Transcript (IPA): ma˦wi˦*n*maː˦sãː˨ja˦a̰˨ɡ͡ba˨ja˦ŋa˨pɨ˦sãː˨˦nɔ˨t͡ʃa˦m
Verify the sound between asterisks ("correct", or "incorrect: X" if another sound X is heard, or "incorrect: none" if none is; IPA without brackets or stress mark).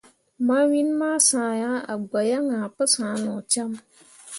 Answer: correct